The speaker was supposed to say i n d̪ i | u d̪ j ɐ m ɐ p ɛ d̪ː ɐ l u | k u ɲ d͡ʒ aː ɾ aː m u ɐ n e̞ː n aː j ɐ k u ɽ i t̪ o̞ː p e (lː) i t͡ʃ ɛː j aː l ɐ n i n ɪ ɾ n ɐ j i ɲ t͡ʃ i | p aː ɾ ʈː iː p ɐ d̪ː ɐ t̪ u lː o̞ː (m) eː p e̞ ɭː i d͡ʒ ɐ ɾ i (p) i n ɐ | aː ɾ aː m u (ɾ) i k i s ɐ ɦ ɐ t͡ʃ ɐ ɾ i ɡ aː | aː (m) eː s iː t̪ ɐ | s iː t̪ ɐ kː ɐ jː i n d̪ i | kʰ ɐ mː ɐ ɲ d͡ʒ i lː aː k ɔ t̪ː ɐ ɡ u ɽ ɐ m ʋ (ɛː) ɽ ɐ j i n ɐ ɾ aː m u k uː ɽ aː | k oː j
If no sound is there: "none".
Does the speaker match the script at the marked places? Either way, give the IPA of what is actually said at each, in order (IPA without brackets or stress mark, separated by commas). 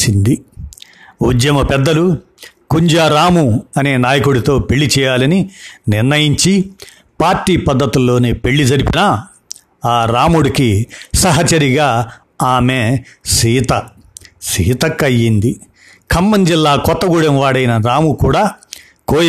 ɭː, n, p, ɽ, m, aː